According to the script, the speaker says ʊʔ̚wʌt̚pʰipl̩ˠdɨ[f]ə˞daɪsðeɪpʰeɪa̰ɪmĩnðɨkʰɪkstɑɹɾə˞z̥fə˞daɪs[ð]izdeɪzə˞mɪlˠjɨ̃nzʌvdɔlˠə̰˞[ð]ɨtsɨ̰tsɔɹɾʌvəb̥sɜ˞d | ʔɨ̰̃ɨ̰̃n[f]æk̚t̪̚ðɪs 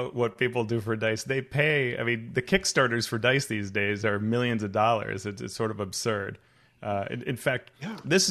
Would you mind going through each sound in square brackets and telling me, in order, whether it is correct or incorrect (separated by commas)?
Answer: correct, correct, incorrect, correct